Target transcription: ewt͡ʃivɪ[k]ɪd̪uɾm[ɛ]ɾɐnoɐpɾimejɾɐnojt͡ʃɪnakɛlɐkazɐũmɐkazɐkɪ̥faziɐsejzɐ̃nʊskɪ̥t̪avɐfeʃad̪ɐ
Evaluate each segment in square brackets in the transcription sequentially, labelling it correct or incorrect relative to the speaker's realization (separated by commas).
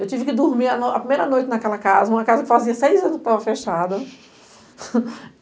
correct, incorrect